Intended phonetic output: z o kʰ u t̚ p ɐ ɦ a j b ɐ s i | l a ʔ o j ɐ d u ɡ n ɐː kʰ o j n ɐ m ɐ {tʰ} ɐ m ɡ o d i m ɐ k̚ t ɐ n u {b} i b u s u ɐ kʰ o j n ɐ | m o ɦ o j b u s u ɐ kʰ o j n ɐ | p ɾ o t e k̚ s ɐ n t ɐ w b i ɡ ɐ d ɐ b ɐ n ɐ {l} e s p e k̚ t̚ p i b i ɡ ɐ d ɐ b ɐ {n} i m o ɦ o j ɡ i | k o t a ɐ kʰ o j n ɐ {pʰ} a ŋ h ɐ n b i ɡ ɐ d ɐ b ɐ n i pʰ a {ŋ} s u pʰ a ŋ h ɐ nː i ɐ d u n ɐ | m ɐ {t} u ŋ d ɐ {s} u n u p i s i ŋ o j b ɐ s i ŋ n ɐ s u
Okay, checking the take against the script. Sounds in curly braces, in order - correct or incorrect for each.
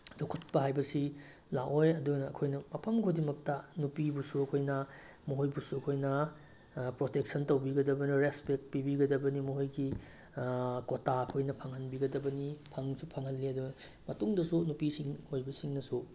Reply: incorrect: pʰ, incorrect: p, incorrect: ɾ, correct, correct, correct, correct, correct

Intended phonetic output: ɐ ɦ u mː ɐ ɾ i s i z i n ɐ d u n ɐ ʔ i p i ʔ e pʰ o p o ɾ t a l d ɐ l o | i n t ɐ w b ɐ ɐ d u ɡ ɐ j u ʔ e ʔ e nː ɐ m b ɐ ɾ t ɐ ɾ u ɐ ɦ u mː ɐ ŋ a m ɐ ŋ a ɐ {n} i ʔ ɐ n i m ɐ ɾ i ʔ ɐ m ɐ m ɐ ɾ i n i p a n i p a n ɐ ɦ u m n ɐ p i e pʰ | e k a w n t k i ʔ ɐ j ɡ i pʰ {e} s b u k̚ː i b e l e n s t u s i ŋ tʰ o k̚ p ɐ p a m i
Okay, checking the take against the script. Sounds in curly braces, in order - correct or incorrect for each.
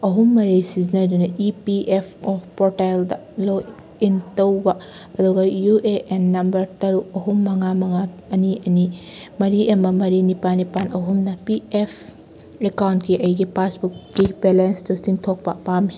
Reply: correct, incorrect: a

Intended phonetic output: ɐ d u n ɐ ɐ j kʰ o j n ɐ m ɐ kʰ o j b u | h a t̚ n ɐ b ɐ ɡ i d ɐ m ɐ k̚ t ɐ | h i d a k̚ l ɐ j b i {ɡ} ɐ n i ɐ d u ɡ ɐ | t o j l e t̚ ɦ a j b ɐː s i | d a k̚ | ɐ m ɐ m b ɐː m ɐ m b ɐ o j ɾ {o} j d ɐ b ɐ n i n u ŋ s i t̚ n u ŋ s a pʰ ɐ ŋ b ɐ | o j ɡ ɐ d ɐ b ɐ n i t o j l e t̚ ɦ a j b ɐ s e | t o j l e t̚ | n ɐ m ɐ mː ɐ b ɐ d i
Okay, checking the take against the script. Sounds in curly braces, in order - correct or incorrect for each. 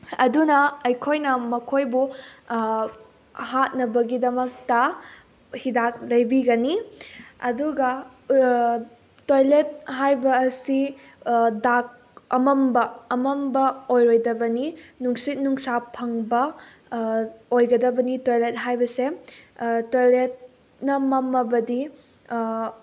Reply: correct, correct

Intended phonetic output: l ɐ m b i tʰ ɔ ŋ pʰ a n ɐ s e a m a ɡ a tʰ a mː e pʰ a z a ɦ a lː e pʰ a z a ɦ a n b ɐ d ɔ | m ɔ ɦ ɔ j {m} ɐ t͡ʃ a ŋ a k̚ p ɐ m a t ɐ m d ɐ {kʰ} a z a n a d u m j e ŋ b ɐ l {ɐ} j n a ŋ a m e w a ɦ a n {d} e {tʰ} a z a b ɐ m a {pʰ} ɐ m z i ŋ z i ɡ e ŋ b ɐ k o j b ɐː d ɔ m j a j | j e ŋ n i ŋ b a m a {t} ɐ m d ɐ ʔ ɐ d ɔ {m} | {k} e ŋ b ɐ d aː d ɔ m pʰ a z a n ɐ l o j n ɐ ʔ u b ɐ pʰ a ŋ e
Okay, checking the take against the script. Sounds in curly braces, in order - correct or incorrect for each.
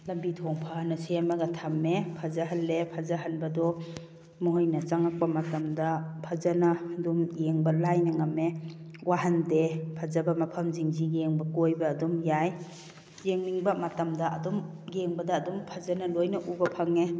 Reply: incorrect: n, incorrect: pʰ, incorrect: a, correct, incorrect: pʰ, correct, correct, correct, incorrect: ɡ

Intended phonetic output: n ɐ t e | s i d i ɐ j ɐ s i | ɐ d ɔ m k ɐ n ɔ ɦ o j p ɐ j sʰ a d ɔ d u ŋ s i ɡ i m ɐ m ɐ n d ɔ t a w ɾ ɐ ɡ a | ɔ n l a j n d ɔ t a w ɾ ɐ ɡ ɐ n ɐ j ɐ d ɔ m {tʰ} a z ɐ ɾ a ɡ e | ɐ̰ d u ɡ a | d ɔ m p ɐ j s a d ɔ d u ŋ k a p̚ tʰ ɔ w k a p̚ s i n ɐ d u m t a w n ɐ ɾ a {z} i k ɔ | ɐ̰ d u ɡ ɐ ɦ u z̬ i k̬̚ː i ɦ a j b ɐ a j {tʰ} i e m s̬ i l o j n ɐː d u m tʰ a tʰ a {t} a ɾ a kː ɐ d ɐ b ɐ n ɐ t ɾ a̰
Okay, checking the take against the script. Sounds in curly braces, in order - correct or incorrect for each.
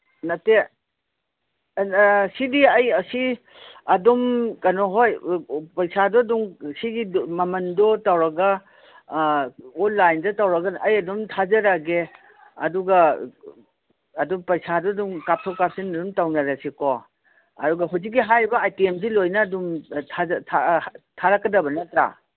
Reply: correct, incorrect: s, incorrect: t, incorrect: tʰ

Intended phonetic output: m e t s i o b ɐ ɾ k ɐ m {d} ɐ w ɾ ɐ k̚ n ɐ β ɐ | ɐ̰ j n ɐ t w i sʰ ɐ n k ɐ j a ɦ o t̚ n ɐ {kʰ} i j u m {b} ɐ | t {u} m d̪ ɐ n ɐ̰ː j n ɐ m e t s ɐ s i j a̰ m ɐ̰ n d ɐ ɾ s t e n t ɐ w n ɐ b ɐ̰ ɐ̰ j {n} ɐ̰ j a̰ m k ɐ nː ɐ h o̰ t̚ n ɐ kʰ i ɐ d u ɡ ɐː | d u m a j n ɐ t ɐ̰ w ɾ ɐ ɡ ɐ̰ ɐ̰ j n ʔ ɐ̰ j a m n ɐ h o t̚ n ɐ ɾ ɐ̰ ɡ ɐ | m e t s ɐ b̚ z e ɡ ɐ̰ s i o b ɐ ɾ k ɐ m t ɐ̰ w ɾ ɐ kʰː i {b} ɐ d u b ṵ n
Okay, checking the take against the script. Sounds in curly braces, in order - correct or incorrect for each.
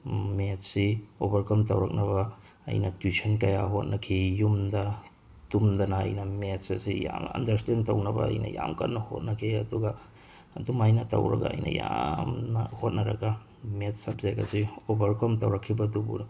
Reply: incorrect: t, correct, incorrect: d, correct, correct, correct

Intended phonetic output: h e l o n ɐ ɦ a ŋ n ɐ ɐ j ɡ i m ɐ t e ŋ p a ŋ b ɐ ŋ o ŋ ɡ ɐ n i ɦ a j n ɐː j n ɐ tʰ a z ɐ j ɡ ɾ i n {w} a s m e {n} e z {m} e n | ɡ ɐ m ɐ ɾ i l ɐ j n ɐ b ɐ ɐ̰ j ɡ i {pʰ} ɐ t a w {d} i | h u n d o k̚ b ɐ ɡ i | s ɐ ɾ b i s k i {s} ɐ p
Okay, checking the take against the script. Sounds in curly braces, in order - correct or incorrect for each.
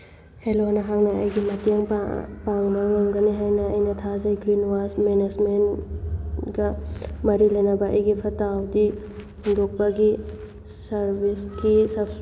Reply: correct, correct, correct, correct, correct, correct

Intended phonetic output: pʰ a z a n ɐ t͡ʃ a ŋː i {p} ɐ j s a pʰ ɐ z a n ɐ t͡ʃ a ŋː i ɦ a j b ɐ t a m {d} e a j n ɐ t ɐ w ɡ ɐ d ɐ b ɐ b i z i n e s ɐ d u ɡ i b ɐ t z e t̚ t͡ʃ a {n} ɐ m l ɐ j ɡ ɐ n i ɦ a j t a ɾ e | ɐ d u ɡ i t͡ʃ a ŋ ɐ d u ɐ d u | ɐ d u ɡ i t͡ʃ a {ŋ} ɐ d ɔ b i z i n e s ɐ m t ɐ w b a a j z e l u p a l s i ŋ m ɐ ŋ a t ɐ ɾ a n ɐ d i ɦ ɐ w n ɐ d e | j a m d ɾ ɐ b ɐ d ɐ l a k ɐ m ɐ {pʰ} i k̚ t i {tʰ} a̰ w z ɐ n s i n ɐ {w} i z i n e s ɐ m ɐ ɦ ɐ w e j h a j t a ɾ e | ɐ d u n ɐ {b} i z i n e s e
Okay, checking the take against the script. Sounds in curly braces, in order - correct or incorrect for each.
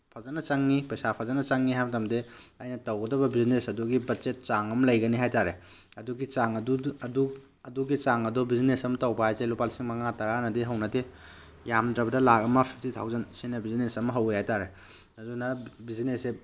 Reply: correct, correct, incorrect: ŋ, correct, correct, correct, incorrect: b, correct

